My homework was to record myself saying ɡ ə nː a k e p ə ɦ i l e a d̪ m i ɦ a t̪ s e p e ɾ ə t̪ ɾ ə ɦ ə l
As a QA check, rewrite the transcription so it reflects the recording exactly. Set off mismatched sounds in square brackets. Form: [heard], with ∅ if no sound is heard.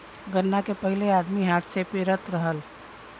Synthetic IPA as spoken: ɡ ə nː a k e p ə ɦ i l e a d̪ m i ɦ a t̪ s e p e ɾ ə t̪ ɾ ə ɦ ə l